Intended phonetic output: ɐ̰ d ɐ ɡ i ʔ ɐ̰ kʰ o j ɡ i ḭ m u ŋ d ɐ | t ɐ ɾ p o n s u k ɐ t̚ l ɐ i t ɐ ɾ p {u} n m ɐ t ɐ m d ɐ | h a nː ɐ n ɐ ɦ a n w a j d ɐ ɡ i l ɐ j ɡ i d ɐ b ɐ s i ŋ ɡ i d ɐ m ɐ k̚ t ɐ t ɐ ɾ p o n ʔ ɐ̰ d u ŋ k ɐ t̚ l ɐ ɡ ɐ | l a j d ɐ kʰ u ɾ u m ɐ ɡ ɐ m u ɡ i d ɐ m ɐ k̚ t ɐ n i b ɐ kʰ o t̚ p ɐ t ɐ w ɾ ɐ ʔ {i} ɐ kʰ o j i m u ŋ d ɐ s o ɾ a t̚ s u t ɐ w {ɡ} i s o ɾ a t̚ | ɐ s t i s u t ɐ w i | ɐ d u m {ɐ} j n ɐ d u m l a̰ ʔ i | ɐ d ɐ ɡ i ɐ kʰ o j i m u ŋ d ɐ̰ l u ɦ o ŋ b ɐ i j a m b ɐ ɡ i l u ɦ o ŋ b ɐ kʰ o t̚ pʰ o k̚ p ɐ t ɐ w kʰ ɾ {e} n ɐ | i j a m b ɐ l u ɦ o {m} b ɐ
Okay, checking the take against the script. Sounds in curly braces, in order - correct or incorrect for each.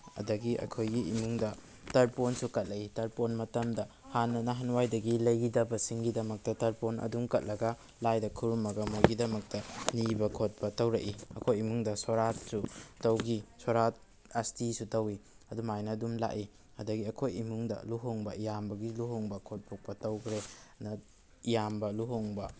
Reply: incorrect: o, correct, correct, incorrect: a, correct, incorrect: ŋ

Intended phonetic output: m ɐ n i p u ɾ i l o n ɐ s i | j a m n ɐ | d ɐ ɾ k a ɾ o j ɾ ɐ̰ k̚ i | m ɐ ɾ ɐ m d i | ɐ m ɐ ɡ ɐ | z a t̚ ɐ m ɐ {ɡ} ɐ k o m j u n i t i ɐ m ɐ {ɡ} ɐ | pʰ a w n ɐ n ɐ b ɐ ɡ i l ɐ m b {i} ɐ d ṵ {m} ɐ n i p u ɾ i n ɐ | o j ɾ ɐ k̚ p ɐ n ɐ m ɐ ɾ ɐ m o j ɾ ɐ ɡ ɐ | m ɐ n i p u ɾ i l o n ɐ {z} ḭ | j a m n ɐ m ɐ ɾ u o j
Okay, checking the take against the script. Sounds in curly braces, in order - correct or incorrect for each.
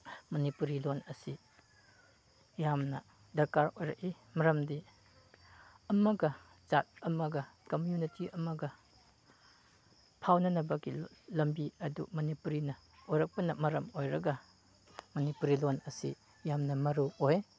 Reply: correct, correct, correct, correct, incorrect: s

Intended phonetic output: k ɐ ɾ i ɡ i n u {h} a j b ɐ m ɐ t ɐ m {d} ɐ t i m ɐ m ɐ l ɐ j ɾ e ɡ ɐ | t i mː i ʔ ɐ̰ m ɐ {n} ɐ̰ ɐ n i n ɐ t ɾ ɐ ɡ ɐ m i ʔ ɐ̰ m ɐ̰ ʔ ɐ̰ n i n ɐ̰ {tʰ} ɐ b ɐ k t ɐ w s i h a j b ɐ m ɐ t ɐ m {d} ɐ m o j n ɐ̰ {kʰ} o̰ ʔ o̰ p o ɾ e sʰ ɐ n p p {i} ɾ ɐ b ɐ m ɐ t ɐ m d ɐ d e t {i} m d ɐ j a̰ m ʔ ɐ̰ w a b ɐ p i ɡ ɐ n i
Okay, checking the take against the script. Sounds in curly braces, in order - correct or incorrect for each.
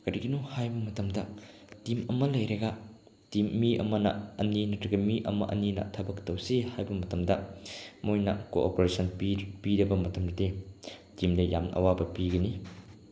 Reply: correct, correct, correct, correct, correct, incorrect: k, correct, correct

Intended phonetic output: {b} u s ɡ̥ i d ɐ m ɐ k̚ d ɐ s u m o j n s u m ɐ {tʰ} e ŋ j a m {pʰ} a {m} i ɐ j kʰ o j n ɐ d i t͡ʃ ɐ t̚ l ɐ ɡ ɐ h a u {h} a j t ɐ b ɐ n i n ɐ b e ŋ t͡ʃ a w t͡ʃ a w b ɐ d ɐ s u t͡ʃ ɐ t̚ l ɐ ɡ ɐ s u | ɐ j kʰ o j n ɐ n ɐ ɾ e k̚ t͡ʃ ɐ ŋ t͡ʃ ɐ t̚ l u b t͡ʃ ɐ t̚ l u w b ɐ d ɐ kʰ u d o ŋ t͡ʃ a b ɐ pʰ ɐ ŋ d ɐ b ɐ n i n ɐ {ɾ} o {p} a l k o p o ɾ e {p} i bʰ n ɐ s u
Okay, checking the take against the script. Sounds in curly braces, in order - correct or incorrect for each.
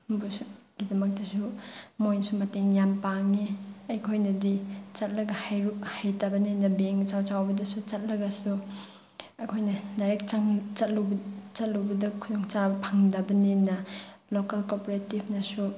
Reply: correct, incorrect: t, incorrect: p, incorrect: ŋ, correct, incorrect: l, incorrect: k, incorrect: t

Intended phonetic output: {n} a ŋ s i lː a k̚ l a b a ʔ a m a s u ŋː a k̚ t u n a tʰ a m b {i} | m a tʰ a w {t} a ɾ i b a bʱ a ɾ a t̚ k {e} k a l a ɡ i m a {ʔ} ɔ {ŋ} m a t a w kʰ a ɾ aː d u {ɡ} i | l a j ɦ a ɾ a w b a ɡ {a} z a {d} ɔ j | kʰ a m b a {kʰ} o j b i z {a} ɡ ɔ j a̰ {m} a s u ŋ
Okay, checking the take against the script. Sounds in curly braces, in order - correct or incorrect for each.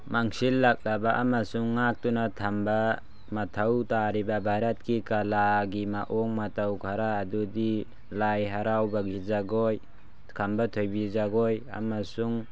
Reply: incorrect: m, incorrect: a, correct, incorrect: i, correct, correct, incorrect: d, incorrect: i, incorrect: ɡ, incorrect: tʰ, correct, correct

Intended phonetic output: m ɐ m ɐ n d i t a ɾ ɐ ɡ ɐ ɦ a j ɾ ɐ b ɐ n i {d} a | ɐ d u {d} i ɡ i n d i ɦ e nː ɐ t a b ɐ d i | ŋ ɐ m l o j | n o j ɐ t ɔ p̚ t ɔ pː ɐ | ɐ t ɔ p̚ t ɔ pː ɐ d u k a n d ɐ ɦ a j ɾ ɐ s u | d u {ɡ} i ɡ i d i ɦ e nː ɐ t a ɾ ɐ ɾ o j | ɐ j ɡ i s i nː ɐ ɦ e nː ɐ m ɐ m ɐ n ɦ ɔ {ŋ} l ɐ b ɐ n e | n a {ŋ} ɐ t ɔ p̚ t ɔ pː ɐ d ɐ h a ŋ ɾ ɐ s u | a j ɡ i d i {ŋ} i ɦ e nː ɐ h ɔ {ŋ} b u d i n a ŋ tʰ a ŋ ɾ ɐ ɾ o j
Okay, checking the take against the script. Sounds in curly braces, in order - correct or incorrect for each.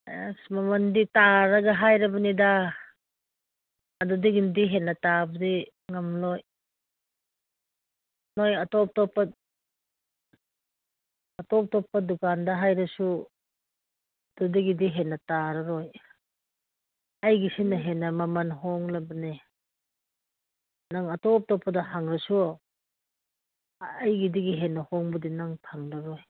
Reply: correct, correct, incorrect: d, correct, correct, incorrect: ɡ, correct

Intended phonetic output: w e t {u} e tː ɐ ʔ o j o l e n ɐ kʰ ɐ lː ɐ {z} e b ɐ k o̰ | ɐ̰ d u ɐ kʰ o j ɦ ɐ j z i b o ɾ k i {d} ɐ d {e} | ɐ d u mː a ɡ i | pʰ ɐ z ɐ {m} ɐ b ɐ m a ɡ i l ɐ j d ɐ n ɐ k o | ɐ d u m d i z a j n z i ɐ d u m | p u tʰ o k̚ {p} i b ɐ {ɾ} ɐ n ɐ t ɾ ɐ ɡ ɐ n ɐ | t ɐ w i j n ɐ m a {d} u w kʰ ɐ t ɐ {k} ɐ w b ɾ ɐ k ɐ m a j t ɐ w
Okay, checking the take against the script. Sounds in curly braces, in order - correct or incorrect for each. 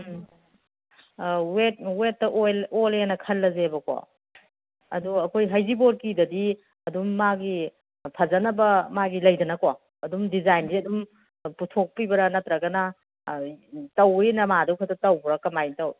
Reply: incorrect: w, correct, correct, incorrect: i, incorrect: n, correct, correct, correct, incorrect: t

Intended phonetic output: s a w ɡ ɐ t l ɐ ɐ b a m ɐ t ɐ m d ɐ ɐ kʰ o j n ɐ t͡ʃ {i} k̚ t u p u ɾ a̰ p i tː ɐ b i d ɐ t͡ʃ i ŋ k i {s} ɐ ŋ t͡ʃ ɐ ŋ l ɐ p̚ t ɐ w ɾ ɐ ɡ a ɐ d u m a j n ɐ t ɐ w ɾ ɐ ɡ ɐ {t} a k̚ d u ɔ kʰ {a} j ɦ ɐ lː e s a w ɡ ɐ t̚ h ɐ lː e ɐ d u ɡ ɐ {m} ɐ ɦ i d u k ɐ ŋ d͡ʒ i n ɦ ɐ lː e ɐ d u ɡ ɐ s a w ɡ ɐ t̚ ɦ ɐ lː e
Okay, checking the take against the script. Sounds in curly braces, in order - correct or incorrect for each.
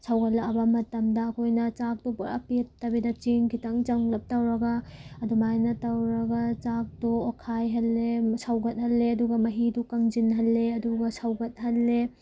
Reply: incorrect: a, incorrect: t, incorrect: t͡ʃ, correct, correct

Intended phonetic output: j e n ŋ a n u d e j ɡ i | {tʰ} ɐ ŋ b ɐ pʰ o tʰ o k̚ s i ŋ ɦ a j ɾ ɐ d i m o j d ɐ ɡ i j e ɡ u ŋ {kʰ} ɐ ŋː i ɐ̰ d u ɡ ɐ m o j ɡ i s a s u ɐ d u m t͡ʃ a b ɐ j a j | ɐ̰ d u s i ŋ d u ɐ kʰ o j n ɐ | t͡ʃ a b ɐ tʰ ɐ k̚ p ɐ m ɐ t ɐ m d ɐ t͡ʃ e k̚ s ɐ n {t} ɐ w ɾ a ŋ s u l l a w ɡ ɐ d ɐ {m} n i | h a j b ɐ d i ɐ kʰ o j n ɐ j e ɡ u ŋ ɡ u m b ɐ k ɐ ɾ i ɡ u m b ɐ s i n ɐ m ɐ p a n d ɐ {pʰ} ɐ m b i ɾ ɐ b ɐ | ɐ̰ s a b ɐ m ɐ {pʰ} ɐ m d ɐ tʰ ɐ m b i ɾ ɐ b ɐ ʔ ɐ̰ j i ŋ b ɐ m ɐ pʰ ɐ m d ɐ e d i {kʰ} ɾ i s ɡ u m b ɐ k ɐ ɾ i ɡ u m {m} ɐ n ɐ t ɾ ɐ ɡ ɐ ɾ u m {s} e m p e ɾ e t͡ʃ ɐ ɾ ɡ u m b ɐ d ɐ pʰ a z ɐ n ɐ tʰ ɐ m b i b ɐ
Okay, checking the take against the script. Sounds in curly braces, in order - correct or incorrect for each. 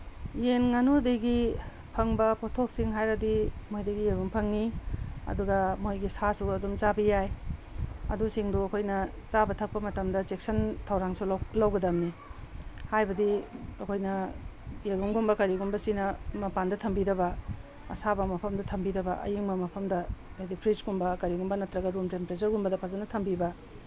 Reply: incorrect: pʰ, incorrect: pʰ, incorrect: tʰ, correct, incorrect: tʰ, correct, incorrect: pʰ, incorrect: b, incorrect: t

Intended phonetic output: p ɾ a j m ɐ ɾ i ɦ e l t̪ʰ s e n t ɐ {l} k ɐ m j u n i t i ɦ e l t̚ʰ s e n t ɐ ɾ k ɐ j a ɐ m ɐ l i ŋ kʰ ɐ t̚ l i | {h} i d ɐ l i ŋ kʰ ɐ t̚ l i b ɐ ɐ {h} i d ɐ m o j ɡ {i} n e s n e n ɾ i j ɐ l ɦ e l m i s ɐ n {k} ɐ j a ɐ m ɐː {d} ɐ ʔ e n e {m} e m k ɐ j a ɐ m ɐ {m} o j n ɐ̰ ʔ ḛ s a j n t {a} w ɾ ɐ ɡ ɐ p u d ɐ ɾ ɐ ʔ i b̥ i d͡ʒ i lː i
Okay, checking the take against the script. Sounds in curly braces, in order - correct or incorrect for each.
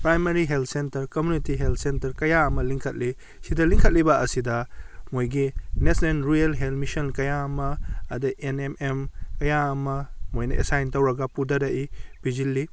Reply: incorrect: ɾ, incorrect: s, incorrect: s, correct, correct, correct, correct, correct, incorrect: ɐ

